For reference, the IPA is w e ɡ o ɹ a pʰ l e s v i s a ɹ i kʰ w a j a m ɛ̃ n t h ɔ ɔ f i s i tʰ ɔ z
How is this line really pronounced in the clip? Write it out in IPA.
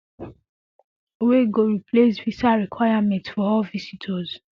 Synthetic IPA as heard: w e ɡ o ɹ i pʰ l e s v i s a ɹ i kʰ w a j a m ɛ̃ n t f ɔ ɔ v i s i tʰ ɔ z